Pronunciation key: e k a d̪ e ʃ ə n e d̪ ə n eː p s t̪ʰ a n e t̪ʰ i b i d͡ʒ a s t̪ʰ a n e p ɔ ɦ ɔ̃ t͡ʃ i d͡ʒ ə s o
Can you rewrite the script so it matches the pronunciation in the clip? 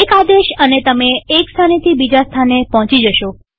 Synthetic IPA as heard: e k a d̪ e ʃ ə n e t̪ ə m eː k s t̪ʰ a n e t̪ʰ i b i d͡ʒ a s t̪ʰ a n e p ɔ ɦ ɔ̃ t͡ʃ i d͡ʒ ə ʃ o